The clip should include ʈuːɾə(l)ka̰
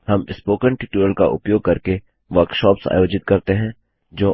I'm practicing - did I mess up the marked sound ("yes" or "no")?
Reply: no